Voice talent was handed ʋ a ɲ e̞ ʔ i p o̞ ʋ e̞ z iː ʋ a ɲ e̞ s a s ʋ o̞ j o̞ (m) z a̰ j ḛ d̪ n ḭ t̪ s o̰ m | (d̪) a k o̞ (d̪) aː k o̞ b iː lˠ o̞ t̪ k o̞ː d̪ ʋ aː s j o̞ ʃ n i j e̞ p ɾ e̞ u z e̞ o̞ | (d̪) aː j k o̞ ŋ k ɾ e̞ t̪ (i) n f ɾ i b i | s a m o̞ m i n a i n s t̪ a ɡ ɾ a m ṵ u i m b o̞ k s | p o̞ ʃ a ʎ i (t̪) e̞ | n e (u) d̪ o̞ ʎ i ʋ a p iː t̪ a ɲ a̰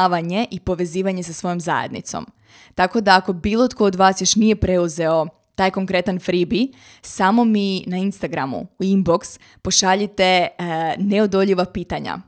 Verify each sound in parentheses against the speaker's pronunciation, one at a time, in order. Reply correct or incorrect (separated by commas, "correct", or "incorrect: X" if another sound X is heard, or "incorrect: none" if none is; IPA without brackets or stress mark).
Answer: correct, incorrect: t̪, correct, incorrect: t̪, incorrect: a, correct, incorrect: o